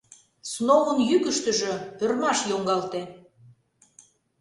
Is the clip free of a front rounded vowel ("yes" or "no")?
no